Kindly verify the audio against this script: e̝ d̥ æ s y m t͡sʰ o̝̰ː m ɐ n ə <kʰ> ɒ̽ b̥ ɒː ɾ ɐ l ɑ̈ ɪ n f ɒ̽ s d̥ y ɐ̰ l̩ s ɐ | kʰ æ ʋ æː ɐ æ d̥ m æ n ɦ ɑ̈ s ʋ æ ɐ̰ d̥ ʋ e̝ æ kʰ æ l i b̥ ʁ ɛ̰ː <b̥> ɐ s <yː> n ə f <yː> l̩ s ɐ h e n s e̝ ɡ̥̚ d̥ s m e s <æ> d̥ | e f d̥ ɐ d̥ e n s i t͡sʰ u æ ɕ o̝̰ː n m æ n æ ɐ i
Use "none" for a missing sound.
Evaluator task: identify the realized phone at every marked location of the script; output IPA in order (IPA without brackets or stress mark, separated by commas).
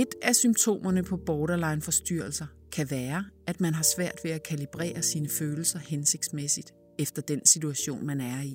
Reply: pʰ, none, iː, øː, i